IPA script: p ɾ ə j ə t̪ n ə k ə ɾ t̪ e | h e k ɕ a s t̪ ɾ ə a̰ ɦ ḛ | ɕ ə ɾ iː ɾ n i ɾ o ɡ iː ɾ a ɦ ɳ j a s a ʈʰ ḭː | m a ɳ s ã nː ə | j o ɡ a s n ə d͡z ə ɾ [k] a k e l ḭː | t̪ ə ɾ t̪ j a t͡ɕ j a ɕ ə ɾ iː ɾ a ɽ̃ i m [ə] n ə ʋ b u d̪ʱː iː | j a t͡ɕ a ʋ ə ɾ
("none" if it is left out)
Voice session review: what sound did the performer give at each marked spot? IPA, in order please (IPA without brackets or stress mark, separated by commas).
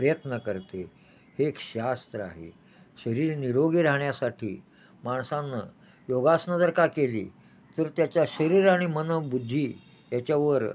k, ə